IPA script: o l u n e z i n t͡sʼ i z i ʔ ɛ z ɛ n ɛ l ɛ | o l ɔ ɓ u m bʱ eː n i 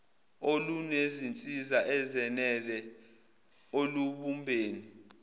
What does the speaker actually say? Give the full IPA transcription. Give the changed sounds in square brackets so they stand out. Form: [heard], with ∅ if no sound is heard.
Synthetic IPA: o l u n e z i n t͡sʼ i z [a] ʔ ɛ z ɛ n ɛ l ɛ | o l [u] ɓ u m bʱ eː n i